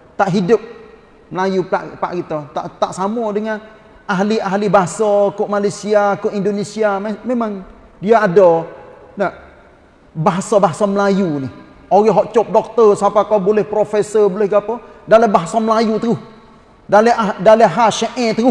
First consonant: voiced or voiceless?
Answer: voiceless